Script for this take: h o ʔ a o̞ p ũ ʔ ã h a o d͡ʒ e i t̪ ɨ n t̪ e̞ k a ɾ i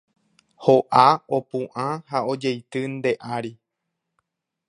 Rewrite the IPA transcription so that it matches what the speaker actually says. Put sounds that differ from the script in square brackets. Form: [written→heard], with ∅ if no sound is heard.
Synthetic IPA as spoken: h o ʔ a o̞ p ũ ʔ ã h a o d͡ʒ e [i→j] t̪ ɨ n [t̪→d̪] e̞ [k→ʔ] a ɾ i